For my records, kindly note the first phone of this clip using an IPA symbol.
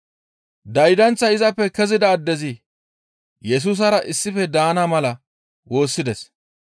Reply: d̪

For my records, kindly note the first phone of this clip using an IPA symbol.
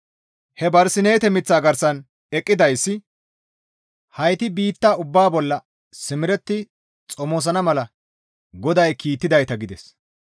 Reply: h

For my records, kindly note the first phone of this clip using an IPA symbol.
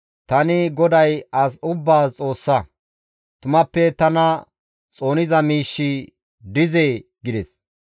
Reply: t̪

